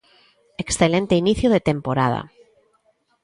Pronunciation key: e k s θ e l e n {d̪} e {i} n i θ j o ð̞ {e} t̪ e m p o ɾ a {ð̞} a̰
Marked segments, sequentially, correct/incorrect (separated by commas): incorrect, correct, correct, correct